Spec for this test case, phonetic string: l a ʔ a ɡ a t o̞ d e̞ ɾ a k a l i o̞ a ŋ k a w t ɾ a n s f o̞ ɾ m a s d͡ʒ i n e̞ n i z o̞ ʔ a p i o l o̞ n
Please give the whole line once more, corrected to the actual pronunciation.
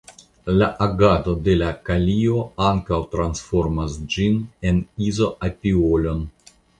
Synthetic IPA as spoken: l a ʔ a ɡ a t o̞ d e̞ l a k a l i o̞ a ŋ k a w t ɾ a n s f o̞ ɾ m a s d͡ʒ i n e̞ n i z o̞ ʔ a p i o l o̞ n

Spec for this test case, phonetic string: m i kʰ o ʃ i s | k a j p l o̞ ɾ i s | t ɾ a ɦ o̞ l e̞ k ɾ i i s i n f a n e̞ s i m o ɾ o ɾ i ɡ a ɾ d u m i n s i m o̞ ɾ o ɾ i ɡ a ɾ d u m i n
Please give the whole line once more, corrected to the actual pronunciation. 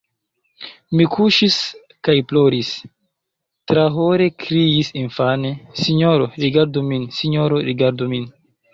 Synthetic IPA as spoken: m i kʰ u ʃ i s | k a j p l o̞ ɾ i s | t ɾ a ɦ o̞ ɾ e̞ k ɾ i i s i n f a n e̞ s i ɲ o ɾ o ɾ i ɡ a ɾ d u m i n s i ɲ o̞ ɾ o ɾ i ɡ a ɾ d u m i n

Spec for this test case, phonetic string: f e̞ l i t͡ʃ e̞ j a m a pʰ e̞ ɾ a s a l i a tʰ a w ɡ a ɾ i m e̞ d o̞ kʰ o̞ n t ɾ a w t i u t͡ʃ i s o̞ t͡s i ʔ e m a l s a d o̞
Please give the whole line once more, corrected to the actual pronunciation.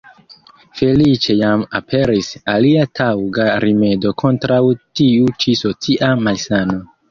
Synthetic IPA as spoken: f e̞ l i t͡ʃ e̞ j a m a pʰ e̞ ɾ i s a l i a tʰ a w ɡ a ɾ i m e̞ d o̞ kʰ o̞ n t ɾ a w t i u t͡ʃ i s o̞ t͡s i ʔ a m a l s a n o̞

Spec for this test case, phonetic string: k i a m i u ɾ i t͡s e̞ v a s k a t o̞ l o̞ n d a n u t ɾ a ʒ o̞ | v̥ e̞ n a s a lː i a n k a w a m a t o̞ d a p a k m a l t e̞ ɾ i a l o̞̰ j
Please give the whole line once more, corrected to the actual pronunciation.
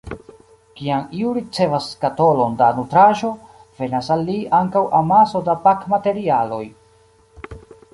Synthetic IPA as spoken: k i a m i u ɾ i t͡s e̞ v a s k a t o̞ l o̞ n d a n u t ɾ a ʒ o̞ | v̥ e̞ n a s a lː i a ŋ k a w a m a s o̞ d a p a k m a t e̞ ɾ i a l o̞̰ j

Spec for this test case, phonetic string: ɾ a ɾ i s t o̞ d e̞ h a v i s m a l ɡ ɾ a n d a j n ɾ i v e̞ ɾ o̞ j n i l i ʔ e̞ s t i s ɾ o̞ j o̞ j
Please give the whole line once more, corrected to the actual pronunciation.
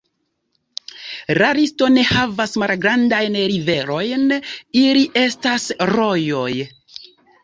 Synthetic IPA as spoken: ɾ a ɾ i s t o̞ n e̞ h a v a s m a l ɡ ɾ a n d a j n ɾ i v e̞ ɾ o̞ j n i l i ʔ e̞ s t a s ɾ o̞ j o̞ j

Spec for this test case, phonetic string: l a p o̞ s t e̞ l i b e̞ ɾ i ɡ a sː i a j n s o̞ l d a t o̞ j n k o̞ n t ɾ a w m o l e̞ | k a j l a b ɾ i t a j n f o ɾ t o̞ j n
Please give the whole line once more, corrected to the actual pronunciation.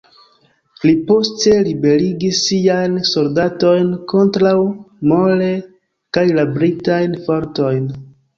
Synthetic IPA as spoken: l i p o̞ s t e̞ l i b e̞ ɾ i ɡ i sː i a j n s o̞ l d a t o̞ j n k o̞ n t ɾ a w m o l e̞ | k a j l a b ɾ i t a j n f o ɾ t o̞ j n

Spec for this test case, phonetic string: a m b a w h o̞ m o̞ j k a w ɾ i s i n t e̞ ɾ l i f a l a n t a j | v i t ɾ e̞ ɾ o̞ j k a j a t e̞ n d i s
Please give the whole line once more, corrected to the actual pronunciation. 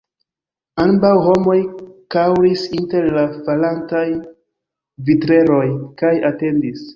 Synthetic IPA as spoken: a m b a w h o̞ m o̞ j k a w ɾ i s i n t e̞ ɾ l a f a l a n t a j | v i t ɾ e̞ ɾ o̞ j k a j a t e̞ n d i s

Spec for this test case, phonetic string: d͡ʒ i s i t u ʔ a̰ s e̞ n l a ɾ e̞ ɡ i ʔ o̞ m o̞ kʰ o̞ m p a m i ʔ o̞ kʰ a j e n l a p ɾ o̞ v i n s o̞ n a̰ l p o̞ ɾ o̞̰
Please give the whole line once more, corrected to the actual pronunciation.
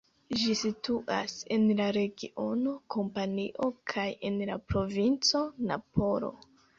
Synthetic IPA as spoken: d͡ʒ i s i t u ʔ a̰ s e̞ n l a ɾ e̞ ɡ i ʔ o̞ n o̞ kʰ o̞ m p a n i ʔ o̞ kʰ a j e n l a p ɾ o̞ v i n t͡s o̞ n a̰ p o̞ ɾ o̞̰

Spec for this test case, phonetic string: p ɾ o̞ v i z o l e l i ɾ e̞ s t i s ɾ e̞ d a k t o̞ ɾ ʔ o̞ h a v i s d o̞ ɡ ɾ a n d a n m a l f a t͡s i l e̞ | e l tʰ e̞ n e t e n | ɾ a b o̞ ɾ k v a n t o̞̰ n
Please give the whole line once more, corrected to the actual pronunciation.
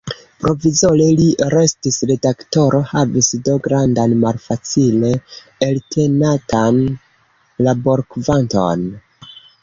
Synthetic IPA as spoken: p ɾ o̞ v i z o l e l i ɾ e̞ s t i s ɾ e̞ d a k t o̞ ɾ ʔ o̞ h a v i s d o̞ ɡ ɾ a n d a n m a l f a t͡s i l e̞ | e l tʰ e̞ n a t a n | l a b o̞ ɾ k v a n t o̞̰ n

